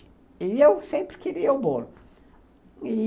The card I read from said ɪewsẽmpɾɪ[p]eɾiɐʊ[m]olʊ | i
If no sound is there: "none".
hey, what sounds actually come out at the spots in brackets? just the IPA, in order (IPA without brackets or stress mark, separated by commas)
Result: k, b